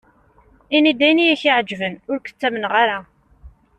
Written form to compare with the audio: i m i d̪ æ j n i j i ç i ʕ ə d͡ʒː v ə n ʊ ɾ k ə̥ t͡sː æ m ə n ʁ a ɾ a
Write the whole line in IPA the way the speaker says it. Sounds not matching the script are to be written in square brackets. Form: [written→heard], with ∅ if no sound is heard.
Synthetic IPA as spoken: i [m→n] i d̪ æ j n i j [i→æ] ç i ʕ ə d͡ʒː v ə n ʊ ɾ k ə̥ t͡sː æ m ə n ʁ a ɾ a

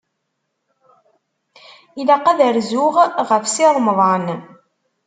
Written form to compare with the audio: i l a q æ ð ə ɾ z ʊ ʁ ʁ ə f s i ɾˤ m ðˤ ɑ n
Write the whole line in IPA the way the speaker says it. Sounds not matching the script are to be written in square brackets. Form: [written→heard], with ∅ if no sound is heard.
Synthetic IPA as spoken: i l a q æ ð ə ɾ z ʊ ʁ ʁ ə f s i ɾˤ m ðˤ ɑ n

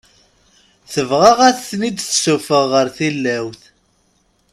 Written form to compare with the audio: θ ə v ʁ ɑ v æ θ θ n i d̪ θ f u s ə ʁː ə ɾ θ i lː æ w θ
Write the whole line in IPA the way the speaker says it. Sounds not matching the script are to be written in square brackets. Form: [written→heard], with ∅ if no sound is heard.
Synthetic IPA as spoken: θ ə v ʁ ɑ [v→ʁ] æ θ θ n i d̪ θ [f→s] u [s→f] ə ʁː ə ɾ θ i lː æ w θ

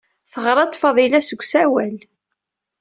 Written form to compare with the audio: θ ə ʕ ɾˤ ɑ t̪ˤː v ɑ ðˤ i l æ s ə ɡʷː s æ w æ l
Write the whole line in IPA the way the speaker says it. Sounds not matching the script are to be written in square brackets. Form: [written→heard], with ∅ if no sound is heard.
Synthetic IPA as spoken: θ ə [ʕ→ʁ] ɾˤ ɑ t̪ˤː [v→f] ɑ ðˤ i l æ s ə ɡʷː s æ w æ l

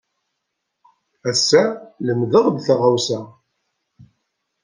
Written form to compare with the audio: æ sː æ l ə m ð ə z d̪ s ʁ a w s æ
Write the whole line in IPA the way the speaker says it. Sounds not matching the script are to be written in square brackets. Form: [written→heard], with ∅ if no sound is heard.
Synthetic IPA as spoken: æ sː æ l ə m ð ə [z→ʁ] d̪ [s→θ] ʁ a w s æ

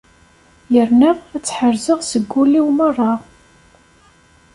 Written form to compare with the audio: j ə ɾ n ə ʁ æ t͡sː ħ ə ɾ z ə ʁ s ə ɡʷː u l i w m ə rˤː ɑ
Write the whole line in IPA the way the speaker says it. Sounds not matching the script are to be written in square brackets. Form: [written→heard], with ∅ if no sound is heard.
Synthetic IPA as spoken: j ə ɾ n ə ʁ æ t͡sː ħ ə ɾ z ə ʁ s ə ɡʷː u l i w m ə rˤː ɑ

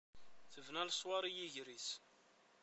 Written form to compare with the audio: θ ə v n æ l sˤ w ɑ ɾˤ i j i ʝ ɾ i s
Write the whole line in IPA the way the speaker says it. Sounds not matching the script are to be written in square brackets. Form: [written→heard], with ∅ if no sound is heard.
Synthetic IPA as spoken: θ ə v n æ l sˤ w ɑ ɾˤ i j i ʝ ɾ i s

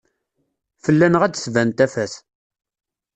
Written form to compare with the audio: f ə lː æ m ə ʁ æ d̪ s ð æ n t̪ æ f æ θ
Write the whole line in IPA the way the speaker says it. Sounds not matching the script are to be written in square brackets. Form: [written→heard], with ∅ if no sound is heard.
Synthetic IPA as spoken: f ə lː æ [m→n] ə ʁ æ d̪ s [ð→v] æ n t̪ æ f æ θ

